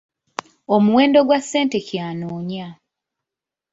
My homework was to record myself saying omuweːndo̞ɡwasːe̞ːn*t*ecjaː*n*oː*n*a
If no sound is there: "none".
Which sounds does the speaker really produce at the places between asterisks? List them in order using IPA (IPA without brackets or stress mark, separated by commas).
t, n, ɲ